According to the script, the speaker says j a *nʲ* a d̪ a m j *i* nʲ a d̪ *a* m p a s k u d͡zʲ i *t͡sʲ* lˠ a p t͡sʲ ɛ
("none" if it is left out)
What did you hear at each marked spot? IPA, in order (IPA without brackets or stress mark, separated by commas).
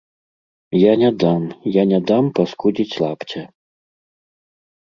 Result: nʲ, a, a, t͡sʲ